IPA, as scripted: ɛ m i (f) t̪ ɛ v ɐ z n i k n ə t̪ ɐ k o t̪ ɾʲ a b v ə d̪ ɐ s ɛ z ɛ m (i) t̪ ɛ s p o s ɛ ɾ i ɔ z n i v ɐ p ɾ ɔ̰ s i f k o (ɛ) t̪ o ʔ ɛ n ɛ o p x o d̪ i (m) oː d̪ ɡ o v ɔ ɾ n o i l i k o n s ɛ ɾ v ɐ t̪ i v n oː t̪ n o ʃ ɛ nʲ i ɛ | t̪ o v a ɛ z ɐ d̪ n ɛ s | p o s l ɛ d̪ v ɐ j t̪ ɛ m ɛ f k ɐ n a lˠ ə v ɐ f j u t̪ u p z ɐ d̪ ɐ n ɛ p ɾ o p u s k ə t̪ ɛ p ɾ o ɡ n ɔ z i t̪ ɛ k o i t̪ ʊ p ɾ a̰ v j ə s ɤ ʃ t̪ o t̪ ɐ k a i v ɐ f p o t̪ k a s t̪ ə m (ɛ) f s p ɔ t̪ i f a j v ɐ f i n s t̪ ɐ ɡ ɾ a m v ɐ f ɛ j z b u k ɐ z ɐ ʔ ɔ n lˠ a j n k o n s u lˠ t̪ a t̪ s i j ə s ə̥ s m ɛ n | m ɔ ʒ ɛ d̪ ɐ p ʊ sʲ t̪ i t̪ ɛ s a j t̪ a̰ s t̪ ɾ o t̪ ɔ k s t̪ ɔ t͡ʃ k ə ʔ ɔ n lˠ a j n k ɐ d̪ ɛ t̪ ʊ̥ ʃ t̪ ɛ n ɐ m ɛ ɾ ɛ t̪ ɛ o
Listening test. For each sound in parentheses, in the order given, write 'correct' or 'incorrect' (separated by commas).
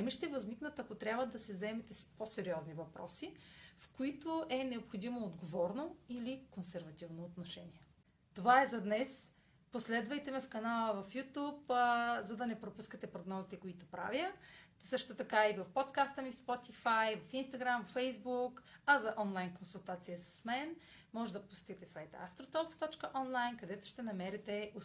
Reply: incorrect, incorrect, incorrect, correct, incorrect